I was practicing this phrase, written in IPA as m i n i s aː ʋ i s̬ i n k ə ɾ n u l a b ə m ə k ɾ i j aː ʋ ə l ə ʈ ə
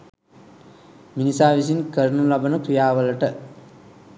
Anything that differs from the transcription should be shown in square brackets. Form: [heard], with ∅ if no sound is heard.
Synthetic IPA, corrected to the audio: m i n i s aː ʋ i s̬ i n k ə ɾ n u l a b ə [n] ə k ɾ i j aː ʋ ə l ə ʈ ə